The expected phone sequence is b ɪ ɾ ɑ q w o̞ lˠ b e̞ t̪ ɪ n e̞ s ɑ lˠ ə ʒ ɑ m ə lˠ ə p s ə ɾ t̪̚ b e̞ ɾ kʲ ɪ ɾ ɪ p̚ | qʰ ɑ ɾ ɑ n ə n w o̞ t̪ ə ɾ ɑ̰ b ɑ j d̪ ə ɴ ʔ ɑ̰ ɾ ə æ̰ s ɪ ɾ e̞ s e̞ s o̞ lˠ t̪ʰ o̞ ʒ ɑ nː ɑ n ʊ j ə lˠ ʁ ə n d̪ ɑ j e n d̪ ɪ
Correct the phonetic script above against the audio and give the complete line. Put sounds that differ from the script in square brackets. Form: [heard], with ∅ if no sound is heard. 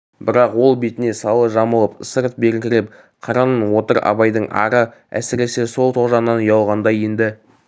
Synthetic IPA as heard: b ɪ ɾ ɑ q w o̞ lˠ b e̞ t̪ ɪ n e̞ s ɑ lˠ ə ʒ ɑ m ə lˠ ə p s ə ɾ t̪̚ b e̞ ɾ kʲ ɪ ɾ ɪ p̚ | qʰ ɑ ɾ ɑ n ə n w o̞ t̪ ə ɾ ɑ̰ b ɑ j d̪ ə ɴ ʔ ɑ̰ ɾ ə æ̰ s ɪ ɾ e̞ s e̞ s o̞ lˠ t̪ʰ o̞ ʒ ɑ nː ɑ n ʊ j [ɑ] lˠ ʁ [ɑ] n d̪ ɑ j e n d̪ ɪ